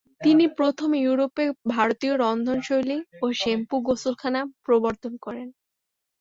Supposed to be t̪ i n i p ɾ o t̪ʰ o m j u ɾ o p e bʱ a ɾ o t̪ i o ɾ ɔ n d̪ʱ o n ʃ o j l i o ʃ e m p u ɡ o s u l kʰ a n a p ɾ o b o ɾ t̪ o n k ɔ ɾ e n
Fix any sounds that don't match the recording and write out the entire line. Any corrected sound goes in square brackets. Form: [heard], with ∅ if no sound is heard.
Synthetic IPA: t̪ i n i p ɾ o t̪ʰ o m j u ɾ o p e bʱ a ɾ o t̪ i o ɾ ɔ n d̪ʱ o n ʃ o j l i o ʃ e m p u ɡ o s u l kʰ a n a p ɾ o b o ɾ t̪ o n k ɔ ɾ e n